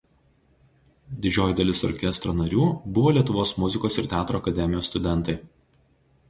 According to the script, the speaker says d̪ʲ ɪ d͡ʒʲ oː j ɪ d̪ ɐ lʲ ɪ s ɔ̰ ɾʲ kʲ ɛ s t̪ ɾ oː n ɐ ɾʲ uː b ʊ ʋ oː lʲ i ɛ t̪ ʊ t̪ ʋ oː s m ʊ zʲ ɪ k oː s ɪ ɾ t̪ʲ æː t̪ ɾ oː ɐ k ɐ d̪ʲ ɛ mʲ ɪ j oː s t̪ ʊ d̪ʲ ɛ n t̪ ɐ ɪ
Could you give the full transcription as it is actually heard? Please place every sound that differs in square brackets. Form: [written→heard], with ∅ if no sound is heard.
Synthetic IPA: d̪ʲ ɪ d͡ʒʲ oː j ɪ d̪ ɐ lʲ ɪ s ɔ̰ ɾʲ kʲ ɛ s t̪ ɾ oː n ɐ ɾʲ uː b ʊ ʋ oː lʲ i ɛ t̪ ʊ [t̪→∅] ʋ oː s m ʊ zʲ ɪ k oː s ɪ ɾ t̪ʲ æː t̪ ɾ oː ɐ k ɐ d̪ʲ ɛ mʲ ɪ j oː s t̪ ʊ d̪ʲ ɛ n t̪ ɐ ɪ